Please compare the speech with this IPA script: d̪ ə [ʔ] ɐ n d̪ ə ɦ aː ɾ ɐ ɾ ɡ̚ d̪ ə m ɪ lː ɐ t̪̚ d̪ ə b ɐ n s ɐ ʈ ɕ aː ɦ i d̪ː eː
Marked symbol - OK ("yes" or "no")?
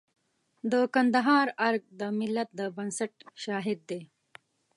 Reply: no